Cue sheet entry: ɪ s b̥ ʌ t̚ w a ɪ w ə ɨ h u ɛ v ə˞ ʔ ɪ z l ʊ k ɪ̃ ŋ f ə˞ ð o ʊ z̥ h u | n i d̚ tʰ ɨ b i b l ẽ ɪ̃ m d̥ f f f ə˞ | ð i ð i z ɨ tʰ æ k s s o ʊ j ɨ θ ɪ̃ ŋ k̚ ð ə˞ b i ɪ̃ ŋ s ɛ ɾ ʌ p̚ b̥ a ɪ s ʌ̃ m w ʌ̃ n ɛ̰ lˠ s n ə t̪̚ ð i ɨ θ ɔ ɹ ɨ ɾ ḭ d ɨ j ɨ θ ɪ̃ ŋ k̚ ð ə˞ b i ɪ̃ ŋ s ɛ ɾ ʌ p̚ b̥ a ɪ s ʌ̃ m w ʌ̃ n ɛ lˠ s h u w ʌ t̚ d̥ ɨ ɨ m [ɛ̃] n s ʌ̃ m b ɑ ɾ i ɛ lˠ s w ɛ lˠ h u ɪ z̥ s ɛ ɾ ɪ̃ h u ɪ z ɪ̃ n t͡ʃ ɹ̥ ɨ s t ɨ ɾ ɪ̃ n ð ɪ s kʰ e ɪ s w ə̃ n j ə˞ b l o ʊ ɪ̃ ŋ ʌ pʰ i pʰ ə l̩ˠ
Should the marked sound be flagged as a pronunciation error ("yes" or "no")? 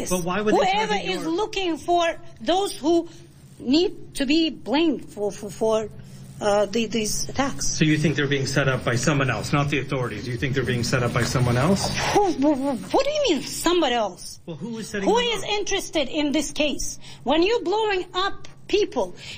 yes